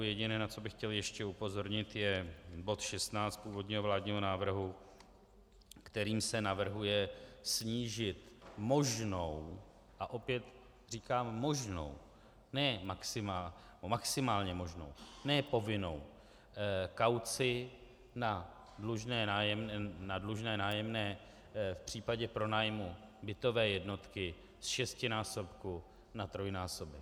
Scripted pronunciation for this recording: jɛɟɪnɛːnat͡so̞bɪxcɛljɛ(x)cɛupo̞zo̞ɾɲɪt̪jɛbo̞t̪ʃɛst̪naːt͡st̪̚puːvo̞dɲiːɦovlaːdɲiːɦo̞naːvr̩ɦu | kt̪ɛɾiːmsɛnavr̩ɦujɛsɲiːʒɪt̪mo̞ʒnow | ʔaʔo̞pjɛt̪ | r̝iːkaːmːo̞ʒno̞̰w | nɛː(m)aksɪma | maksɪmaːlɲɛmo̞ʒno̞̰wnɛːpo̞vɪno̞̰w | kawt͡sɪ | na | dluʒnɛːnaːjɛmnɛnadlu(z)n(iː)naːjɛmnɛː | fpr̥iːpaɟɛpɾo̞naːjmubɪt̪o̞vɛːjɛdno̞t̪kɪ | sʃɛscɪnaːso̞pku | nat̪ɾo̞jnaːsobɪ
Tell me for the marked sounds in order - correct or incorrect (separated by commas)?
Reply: incorrect, correct, incorrect, incorrect